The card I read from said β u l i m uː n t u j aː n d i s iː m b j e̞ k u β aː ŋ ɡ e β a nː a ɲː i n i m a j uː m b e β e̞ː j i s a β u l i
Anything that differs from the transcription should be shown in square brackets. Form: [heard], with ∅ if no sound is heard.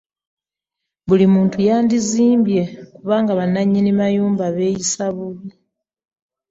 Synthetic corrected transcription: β u l i m uː n t u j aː n d i [z] iː m b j e̞ k u β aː ŋ ɡ [a] β a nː a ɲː i n i m a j uː m b [a] β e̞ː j i s a β u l i